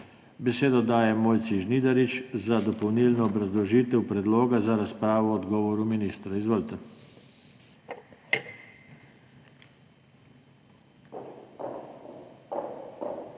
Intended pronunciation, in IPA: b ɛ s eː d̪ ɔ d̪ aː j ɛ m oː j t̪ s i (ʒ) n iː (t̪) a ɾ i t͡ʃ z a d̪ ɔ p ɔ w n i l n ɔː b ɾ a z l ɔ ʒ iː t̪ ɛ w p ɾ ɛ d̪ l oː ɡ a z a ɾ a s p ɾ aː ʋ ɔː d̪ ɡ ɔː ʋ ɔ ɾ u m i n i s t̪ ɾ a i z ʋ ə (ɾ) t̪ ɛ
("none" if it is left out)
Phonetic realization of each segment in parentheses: ʒ, d̪, l

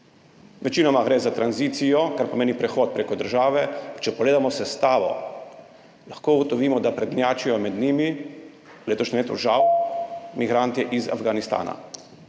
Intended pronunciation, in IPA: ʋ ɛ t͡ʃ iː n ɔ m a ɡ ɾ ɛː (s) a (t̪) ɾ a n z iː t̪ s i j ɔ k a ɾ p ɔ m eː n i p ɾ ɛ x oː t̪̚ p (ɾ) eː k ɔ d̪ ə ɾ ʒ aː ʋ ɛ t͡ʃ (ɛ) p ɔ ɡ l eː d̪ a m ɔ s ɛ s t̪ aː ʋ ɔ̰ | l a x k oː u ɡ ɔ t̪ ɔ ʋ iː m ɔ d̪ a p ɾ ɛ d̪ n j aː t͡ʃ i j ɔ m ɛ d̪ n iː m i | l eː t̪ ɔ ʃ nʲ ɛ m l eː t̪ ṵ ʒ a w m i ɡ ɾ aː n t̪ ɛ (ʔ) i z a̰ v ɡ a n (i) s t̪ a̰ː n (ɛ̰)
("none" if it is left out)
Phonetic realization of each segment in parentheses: z, t̪, ɾ, ɛ, ʔ, i, a̰

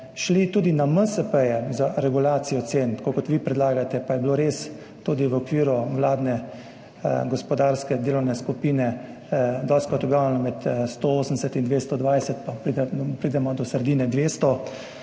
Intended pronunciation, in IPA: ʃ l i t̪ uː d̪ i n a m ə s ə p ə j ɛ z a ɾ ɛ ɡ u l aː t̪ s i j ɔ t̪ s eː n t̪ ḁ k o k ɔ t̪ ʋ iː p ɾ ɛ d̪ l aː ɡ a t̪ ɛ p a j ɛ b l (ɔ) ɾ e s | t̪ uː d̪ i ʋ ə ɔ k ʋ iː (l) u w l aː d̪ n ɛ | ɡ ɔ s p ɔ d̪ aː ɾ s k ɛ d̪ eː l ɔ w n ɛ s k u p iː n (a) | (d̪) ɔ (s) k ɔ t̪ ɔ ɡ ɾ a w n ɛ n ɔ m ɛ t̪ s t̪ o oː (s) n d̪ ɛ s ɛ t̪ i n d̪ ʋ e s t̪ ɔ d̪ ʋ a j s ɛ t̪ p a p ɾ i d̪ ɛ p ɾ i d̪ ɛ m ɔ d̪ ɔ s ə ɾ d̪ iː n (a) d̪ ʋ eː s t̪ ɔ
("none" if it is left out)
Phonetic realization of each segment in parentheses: o, ɾ, ɛ, d̪, s, s, ɛ

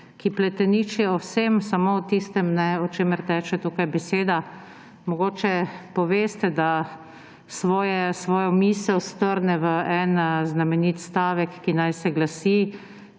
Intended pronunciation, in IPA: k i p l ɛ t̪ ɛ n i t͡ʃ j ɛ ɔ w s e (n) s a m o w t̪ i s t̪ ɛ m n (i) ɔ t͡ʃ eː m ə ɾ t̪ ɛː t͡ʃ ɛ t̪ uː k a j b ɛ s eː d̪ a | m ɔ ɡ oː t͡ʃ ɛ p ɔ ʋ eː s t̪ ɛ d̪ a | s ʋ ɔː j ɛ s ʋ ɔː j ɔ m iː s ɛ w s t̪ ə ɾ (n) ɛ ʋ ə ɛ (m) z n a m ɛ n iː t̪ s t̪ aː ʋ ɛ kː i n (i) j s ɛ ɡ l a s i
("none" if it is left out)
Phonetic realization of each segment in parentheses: m, ɛ, n, n, a

